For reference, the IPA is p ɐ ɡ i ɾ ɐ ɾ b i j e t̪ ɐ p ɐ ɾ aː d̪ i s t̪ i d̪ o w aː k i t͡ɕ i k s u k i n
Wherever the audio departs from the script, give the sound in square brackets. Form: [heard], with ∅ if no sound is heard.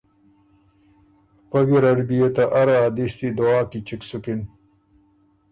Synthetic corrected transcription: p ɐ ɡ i ɾ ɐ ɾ b i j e t̪ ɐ [ʔ] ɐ ɾ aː d̪ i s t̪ i d̪ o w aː k i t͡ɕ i k s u k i n

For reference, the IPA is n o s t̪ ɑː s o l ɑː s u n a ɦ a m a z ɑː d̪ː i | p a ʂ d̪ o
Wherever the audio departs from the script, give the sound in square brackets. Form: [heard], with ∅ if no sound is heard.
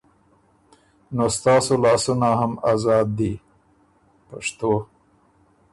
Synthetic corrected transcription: n o s t̪ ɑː s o l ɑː s u n a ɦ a m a z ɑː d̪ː i | p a ʂ [t̪] o

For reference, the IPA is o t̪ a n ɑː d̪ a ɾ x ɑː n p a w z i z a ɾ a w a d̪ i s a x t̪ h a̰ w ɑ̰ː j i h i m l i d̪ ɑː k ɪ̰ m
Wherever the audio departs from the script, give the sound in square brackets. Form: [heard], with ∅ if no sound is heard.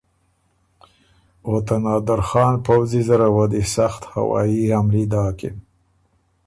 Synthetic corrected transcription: o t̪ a n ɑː d̪ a ɾ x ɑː n p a w z i z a ɾ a w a d̪ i s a x t̪ h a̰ w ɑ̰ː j i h [a] m l i d̪ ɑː k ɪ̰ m

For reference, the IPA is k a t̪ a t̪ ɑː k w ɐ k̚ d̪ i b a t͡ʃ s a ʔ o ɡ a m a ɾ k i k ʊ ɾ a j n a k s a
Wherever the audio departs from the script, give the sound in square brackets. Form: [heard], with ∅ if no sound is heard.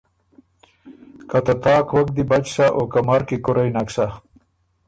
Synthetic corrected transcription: k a t̪ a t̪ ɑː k w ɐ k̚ d̪ i b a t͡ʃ s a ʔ o [k] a m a ɾ k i k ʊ ɾ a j n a k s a

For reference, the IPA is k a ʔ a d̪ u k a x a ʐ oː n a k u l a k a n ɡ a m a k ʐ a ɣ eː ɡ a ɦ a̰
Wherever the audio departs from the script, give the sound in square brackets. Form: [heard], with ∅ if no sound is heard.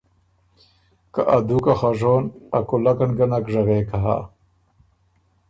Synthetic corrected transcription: k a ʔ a d̪ u k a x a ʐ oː n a k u l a k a n ɡ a [n] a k ʐ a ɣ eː [k] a ɦ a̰

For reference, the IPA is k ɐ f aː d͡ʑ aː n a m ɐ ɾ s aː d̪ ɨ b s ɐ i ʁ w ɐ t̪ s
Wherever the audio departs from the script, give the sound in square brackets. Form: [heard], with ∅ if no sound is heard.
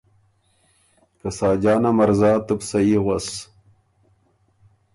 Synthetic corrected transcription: k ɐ [s] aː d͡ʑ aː n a m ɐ ɾ [z] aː [t̪] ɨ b s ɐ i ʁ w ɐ [∅] s

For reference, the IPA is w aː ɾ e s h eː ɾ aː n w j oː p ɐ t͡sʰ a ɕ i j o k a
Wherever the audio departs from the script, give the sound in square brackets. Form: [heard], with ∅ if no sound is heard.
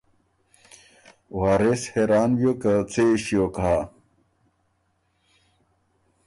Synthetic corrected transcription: w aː ɾ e s h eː ɾ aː n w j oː [k] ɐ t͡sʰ [e] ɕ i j o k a

